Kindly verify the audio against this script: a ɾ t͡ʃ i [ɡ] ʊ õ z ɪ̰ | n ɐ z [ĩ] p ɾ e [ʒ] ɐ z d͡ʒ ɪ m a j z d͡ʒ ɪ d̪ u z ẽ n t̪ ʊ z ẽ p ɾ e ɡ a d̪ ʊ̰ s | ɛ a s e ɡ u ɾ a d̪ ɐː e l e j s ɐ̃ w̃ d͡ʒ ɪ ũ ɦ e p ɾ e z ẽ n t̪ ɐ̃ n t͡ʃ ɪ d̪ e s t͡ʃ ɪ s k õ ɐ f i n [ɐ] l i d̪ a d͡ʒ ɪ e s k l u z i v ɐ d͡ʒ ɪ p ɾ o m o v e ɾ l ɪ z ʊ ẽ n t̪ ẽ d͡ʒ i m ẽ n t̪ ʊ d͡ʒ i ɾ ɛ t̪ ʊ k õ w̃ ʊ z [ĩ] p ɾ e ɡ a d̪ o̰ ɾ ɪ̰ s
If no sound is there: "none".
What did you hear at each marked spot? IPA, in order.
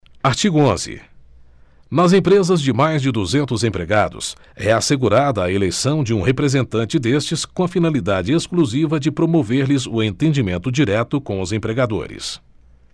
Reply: ɡ, ẽ, z, a, ẽ

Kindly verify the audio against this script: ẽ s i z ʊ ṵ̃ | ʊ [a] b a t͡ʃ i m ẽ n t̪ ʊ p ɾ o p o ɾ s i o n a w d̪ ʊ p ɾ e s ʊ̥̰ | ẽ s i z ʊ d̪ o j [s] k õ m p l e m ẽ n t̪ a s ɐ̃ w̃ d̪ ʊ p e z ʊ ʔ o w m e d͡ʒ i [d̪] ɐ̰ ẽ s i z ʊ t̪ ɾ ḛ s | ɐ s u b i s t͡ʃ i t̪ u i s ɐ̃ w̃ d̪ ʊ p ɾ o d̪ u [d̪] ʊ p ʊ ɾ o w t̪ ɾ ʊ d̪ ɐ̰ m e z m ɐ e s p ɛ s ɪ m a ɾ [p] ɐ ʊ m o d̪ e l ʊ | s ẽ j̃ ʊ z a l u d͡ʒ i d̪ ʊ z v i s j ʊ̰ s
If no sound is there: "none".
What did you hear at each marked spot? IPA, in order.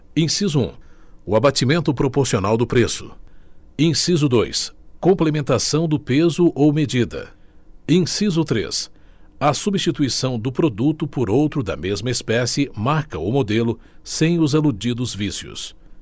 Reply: a, s, d̪, t̪, k

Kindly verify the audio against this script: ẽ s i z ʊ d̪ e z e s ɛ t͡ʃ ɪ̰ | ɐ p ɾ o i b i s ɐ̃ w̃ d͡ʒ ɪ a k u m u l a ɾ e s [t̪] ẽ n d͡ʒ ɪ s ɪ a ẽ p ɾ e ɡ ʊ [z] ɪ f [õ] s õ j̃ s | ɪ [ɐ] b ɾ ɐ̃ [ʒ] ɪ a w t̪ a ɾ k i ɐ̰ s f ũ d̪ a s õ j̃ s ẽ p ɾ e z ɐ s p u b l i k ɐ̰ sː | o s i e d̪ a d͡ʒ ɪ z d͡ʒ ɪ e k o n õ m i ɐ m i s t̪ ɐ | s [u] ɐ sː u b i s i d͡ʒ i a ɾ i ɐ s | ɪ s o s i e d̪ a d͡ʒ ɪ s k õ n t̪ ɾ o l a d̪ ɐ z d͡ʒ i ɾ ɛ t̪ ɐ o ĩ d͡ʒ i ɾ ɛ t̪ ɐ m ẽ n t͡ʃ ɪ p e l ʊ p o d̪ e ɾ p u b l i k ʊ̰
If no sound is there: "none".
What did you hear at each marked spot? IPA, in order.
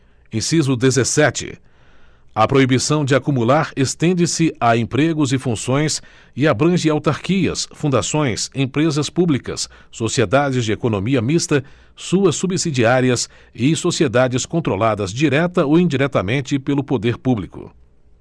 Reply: t̪, z, ũ, a, ʒ, u

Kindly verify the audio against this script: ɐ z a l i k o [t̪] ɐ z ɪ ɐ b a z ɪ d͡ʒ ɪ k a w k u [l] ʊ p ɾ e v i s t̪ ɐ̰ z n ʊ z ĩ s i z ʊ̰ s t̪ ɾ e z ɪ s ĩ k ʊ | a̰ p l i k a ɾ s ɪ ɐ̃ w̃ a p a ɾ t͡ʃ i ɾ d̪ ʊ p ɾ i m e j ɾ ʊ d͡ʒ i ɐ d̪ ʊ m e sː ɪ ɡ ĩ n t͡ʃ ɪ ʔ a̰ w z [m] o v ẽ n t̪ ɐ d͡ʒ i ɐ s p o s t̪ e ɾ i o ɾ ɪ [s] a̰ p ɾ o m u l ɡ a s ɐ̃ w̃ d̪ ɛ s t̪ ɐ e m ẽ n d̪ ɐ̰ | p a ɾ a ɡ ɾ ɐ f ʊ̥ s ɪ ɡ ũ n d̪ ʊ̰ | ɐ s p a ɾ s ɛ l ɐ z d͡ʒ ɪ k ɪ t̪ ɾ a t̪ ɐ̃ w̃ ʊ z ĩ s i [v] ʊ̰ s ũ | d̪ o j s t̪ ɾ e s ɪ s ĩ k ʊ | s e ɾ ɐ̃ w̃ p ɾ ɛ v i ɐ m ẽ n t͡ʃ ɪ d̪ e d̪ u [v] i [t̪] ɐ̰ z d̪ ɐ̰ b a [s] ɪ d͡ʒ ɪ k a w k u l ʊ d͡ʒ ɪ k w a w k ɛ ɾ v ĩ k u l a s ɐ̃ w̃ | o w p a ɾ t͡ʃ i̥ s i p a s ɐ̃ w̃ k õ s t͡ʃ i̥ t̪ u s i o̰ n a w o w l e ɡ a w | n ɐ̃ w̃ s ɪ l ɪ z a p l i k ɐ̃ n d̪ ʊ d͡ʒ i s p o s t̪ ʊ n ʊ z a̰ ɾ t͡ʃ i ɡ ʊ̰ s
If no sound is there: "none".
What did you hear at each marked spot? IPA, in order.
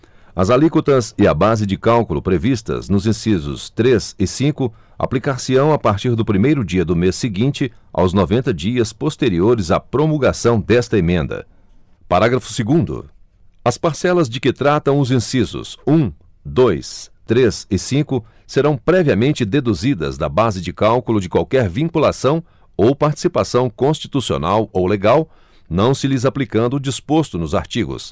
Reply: t̪, l, n, z, z, z, d̪, z

